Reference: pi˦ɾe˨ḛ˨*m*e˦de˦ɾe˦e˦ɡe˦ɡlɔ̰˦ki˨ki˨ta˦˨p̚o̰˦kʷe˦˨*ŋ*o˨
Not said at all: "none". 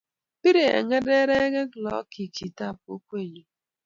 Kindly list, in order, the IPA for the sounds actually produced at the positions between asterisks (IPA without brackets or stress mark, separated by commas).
ŋ, ɲ